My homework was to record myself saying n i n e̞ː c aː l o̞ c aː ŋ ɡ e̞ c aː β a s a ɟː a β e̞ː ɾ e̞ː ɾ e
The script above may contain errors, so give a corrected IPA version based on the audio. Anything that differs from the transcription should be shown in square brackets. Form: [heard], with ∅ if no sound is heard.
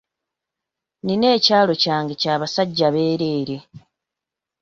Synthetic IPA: n i n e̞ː c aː l o̞ c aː ŋ ɡ e̞ c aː β a s a ɟː a β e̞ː ɾ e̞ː ɾ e